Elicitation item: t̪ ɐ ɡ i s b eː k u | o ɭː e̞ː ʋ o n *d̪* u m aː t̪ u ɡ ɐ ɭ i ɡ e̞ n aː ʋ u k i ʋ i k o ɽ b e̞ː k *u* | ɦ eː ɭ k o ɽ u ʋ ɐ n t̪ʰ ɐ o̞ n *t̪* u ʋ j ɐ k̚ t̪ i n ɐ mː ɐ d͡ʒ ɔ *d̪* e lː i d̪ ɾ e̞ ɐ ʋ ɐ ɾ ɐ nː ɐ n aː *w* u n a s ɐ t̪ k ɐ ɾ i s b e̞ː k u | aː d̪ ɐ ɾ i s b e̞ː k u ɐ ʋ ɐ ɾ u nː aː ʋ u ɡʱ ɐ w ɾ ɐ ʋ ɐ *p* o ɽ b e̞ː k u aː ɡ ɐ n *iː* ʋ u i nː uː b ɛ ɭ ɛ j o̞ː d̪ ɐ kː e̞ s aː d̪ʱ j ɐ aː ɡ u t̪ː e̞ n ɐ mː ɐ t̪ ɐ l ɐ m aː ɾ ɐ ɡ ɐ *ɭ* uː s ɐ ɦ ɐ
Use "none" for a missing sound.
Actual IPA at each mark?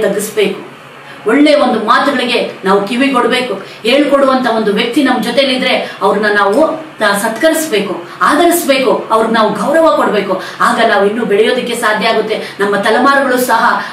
d̪, u, d̪, t̪, ʋ, k, aː, ɭ

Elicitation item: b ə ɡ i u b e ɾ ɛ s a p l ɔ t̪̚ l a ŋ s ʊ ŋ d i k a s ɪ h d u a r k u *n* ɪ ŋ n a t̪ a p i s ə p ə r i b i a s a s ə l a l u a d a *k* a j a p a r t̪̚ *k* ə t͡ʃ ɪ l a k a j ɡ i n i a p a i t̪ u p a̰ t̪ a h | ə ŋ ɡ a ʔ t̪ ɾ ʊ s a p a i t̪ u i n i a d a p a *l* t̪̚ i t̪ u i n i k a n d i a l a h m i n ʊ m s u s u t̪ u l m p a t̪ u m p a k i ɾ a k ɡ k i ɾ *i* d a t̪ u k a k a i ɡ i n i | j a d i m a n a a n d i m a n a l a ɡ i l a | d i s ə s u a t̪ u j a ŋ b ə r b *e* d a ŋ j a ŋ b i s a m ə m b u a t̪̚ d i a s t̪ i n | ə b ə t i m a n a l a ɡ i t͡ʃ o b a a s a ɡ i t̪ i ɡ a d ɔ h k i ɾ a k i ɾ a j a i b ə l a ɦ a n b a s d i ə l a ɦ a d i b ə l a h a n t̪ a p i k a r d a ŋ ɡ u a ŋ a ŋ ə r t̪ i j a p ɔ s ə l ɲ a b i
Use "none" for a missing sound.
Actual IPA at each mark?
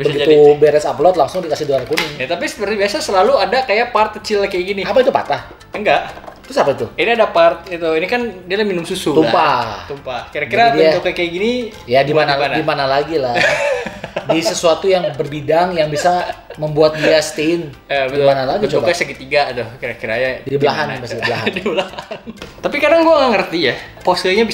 n, k, k, r, a, i

